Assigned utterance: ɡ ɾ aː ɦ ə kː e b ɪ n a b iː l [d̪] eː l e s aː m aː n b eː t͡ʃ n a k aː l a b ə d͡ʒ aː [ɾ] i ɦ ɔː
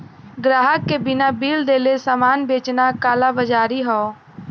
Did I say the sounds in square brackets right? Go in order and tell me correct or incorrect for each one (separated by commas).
correct, correct